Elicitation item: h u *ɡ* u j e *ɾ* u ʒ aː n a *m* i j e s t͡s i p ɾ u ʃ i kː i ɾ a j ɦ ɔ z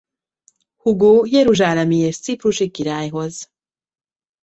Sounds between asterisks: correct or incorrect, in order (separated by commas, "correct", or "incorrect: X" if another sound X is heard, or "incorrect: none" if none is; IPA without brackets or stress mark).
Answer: correct, correct, correct